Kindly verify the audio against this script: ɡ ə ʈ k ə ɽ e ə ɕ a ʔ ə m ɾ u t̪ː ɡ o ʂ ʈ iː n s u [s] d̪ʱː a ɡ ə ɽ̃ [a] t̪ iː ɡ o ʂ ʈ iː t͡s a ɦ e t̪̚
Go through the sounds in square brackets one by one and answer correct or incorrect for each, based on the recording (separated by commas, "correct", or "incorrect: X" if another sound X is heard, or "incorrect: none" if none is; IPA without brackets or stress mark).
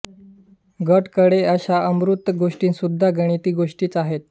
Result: incorrect: none, incorrect: i